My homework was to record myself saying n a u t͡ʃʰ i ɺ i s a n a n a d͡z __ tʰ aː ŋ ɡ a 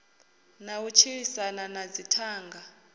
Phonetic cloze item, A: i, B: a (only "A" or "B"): A